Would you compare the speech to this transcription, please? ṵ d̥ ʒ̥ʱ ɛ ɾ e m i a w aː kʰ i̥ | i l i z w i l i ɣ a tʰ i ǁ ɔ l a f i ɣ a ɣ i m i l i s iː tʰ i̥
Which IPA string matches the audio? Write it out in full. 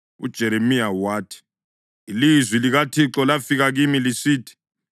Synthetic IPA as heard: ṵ d̥ ʒ̥ʱ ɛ ɾ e m i a w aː tʰ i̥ | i l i z w i l i ɣ a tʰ i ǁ ɔ l a f i ɣ a ɣ i m i l i s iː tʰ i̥